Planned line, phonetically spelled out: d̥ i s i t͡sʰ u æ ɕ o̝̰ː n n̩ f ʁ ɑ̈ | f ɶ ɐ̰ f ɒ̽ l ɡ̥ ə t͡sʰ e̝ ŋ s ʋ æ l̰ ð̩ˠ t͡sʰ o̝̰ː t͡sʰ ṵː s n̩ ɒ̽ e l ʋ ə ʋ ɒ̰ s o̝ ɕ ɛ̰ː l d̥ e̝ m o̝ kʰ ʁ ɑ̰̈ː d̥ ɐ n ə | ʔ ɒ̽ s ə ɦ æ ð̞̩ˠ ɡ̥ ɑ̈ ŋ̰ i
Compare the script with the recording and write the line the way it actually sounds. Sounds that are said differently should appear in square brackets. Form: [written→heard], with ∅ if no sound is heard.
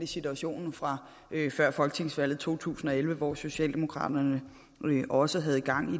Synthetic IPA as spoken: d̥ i s i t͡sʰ u æ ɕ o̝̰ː n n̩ f ʁ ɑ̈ | f ɶ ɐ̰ f ɒ̽ l ɡ̥ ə t͡sʰ e̝ ŋ s ʋ æ l̰ ð̩ˠ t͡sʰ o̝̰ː t͡sʰ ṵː s n̩ ɒ̽ e l ʋ ə ʋ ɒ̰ s o̝ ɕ ɛ̰ː l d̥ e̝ m o̝ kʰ ʁ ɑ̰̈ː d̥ ɐ n ə | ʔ ɒ̽ s ə ɦ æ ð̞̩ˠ ɡ̥ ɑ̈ ŋ̰ i